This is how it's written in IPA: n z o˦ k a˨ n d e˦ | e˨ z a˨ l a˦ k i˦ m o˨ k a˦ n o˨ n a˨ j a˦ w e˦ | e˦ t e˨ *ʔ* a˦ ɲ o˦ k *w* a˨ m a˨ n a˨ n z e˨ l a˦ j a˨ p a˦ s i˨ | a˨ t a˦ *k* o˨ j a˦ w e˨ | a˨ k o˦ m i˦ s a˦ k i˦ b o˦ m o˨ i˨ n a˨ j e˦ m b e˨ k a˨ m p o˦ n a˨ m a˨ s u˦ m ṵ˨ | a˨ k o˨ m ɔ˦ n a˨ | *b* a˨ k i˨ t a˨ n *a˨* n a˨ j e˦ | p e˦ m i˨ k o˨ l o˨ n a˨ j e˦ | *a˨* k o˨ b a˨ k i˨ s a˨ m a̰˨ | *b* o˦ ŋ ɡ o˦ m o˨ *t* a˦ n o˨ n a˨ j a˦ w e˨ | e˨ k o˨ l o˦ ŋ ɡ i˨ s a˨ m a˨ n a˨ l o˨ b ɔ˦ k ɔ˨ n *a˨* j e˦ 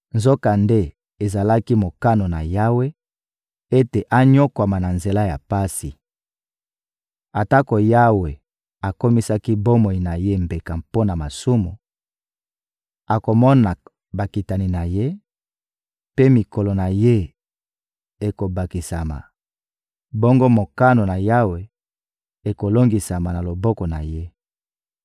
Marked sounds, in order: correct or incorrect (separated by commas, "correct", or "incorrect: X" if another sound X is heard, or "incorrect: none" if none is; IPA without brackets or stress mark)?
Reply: correct, correct, correct, correct, incorrect: i˨, incorrect: e˨, correct, incorrect: k, correct